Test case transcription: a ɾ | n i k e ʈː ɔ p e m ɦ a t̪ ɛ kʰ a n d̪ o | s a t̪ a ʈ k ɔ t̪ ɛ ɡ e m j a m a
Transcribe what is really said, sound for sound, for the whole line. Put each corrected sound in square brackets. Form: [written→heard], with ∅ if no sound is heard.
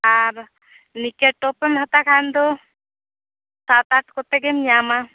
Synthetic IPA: a ɾ | n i k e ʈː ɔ p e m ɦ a t̪ [ɛ→a] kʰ a n d̪ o | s a t̪ a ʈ k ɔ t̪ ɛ ɡ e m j a m a